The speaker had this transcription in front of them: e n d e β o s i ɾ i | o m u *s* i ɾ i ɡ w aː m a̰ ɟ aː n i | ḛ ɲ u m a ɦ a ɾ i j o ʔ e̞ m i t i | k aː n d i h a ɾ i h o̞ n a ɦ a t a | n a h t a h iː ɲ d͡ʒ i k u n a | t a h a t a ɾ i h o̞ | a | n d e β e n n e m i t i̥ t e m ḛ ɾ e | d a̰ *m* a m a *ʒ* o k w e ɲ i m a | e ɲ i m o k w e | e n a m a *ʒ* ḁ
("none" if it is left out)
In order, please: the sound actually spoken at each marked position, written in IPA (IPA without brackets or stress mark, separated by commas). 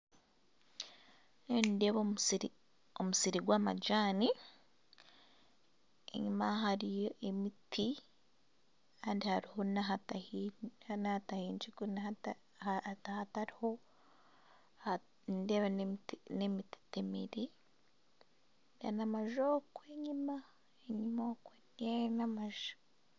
s, n, ʒ, ʒ